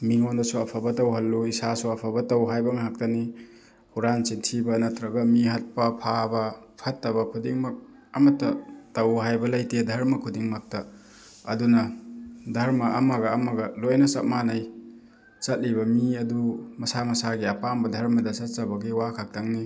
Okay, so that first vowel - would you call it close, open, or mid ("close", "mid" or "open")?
close